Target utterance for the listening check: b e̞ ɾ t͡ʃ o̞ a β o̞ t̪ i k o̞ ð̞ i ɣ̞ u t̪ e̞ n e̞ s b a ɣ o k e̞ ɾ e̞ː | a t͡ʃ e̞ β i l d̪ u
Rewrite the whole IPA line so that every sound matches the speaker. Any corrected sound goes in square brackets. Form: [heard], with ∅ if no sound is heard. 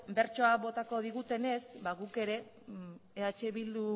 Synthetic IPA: b e̞ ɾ t͡ʃ o̞ a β o̞ t̪ [a] k o̞ ð̞ i ɣ̞ u t̪ e̞ n e̞ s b a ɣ [u] k e̞ ɾ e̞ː | a t͡ʃ e̞ β i l d̪ u